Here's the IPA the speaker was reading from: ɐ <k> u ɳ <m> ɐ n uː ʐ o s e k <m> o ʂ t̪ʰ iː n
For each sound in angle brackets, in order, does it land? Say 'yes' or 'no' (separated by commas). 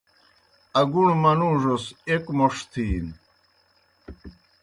no, yes, yes